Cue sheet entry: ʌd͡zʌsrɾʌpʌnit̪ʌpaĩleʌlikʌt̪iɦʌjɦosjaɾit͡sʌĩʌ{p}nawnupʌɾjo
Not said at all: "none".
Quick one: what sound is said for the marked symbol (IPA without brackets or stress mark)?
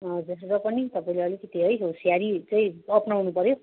p